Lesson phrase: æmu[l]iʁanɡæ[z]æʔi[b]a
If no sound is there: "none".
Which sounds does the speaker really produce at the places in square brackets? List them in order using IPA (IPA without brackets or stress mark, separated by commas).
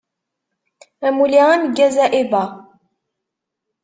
l, z, b